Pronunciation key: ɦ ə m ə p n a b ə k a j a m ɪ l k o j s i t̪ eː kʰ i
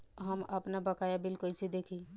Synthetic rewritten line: ɦ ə m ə p n a b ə k a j a b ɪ l k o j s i d̪ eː kʰ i